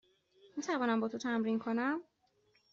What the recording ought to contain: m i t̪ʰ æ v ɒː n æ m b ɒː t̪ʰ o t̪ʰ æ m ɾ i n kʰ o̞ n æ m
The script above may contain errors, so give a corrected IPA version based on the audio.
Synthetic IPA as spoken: m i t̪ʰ æ v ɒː n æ m b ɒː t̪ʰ o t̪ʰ æ m ɾ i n kʰ o̞ n æ m